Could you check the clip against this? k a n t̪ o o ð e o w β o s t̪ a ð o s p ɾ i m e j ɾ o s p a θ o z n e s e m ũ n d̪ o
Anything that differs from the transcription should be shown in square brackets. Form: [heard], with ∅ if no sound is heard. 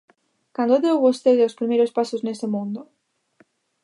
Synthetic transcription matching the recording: k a n [d̪] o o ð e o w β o s t̪ [e] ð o s p ɾ i m e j ɾ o s p a [s] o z n e s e m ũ n d̪ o